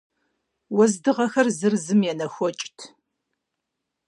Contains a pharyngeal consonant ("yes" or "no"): no